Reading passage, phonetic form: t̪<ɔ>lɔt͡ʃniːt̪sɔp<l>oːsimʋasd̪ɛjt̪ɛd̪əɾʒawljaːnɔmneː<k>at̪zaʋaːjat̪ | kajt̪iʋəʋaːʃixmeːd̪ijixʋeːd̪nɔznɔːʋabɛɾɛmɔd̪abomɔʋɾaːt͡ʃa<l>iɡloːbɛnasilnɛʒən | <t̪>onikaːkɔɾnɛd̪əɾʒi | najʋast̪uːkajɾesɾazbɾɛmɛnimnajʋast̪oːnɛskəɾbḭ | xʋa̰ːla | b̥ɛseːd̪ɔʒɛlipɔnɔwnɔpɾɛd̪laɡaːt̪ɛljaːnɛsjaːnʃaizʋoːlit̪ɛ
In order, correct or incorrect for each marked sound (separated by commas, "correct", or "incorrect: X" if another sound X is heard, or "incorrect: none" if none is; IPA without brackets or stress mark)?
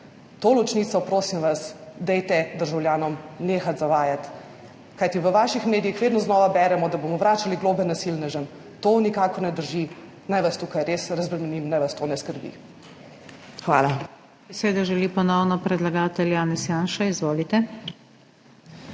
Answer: incorrect: o, incorrect: ɾ, incorrect: x, correct, correct